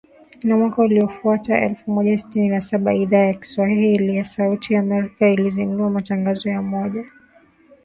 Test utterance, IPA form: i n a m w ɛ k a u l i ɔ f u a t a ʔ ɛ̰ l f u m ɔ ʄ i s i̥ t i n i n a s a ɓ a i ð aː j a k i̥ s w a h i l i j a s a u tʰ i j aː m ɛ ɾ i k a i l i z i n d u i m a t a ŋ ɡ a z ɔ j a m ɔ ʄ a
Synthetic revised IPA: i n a m w a k a u l i ɔ f u a t a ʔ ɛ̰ l f u m ɔ ʄ a s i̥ t i n i n a s a ɓ a i ð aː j a k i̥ s w a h i l i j a s a u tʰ i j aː m ɛ ɾ i k a i l i z i n d u a m a t a ŋ ɡ a z ɔ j a m ɔ ʄ a